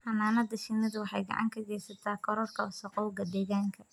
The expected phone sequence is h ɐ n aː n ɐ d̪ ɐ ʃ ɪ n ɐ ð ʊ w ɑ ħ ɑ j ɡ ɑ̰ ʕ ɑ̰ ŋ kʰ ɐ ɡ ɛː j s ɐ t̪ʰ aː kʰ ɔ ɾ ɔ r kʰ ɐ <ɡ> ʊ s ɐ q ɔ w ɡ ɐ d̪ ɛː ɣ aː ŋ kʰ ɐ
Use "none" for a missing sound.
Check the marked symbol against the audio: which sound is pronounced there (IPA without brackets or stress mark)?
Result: none